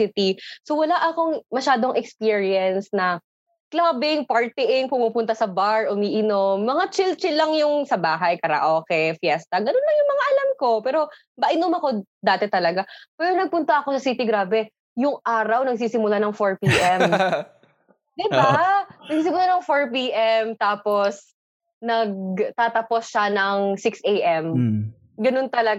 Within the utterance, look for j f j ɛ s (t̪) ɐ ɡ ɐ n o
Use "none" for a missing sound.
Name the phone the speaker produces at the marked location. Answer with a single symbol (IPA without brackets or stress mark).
t̪